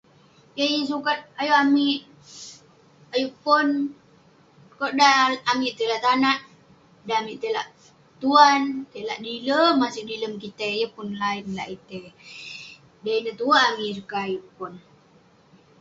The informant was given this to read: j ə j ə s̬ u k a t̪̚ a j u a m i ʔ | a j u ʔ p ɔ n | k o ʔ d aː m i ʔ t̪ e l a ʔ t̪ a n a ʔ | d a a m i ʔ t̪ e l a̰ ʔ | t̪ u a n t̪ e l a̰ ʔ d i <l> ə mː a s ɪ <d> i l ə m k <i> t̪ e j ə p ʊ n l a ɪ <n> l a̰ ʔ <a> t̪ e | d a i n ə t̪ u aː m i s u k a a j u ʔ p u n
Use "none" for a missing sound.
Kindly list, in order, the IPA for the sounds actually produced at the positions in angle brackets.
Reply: l, d, i, n, i

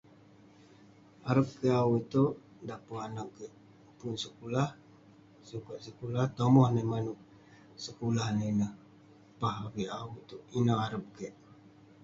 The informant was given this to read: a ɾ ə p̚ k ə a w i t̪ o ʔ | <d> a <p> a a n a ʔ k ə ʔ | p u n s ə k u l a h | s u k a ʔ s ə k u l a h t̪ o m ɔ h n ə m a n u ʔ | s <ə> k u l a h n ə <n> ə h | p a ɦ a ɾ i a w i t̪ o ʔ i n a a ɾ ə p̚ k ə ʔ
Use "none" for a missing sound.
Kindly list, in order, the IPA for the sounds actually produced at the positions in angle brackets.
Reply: d, p, ə, n

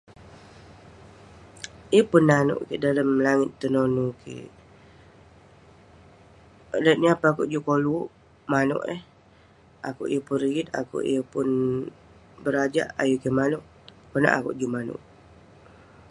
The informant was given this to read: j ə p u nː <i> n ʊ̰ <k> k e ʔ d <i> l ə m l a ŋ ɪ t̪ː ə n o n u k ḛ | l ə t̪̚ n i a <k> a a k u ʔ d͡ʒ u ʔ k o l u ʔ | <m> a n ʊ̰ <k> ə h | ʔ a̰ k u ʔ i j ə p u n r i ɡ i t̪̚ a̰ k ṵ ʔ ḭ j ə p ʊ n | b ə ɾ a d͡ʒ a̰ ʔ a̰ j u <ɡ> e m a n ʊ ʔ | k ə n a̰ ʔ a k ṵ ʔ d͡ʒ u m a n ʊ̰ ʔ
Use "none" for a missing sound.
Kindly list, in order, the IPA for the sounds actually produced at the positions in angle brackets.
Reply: a, ʔ, a, p, m, ʔ, k

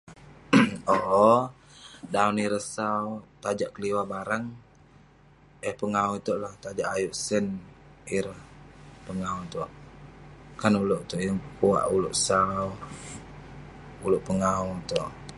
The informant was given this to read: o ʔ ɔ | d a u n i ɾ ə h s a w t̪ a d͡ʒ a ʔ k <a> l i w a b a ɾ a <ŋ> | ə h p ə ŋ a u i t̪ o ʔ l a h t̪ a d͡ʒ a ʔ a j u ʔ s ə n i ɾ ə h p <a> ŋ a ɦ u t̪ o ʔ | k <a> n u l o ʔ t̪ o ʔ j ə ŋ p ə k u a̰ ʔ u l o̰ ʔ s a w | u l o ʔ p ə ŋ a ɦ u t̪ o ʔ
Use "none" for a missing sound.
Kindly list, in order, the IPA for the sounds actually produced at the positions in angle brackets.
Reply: ə, ŋ, ə, a

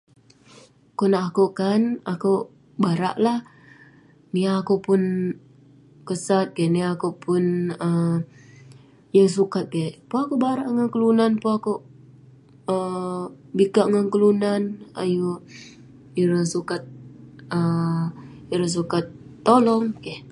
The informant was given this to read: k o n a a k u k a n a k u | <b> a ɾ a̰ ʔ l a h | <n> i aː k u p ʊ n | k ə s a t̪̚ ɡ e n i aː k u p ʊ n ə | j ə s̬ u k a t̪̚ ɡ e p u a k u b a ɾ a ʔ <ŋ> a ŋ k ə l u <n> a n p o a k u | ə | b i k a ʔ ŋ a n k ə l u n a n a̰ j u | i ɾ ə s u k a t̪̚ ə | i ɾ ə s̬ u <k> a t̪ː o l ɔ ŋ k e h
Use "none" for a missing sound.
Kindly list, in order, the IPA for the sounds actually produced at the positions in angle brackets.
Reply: b, n, ŋ, n, k

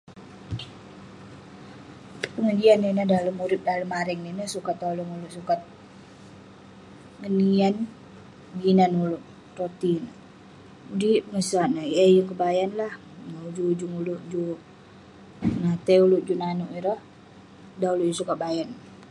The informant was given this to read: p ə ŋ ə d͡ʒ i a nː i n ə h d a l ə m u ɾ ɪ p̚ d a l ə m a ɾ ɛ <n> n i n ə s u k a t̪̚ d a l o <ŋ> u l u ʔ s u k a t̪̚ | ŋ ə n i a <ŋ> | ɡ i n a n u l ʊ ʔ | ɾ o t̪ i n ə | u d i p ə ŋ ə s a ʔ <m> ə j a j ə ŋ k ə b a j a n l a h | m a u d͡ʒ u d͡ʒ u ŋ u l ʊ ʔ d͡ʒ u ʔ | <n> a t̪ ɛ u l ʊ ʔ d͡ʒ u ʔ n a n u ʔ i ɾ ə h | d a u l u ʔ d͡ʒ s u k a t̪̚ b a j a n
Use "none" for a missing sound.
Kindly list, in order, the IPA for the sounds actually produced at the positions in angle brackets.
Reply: ŋ, ŋ, n, n, n

